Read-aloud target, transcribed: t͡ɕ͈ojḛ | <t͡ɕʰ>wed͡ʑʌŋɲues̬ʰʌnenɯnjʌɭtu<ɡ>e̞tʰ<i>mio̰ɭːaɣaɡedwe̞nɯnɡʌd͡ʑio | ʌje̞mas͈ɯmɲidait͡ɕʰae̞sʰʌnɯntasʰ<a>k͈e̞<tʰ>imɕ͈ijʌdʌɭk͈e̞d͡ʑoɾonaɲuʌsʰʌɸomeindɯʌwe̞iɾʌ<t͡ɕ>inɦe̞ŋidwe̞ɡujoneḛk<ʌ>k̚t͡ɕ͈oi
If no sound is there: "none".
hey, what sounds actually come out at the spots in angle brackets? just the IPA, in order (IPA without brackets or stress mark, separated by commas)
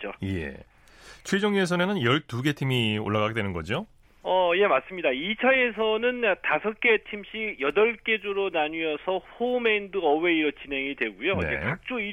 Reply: t͡ɕʰ, ɡ, i, ʌ, tʰ, t͡ɕ, a